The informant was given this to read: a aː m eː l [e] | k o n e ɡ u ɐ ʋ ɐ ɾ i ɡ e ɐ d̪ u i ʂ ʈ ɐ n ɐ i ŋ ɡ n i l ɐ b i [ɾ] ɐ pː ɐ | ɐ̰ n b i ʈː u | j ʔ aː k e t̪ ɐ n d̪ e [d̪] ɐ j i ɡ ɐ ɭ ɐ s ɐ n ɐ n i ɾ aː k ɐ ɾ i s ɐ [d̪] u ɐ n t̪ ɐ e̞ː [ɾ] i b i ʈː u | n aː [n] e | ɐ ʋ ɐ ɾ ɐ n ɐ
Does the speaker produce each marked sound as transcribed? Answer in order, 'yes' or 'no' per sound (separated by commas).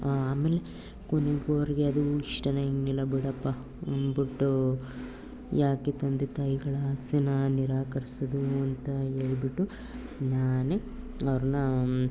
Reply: yes, no, no, yes, no, yes